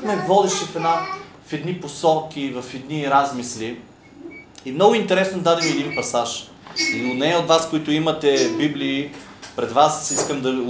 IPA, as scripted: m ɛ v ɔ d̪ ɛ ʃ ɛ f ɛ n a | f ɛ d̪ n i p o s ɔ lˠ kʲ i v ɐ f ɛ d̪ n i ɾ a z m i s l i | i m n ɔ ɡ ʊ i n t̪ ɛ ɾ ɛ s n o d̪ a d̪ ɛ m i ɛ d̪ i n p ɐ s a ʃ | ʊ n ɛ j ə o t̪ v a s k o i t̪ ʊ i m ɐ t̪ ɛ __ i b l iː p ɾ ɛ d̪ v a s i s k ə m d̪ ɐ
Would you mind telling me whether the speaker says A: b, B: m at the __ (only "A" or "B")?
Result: A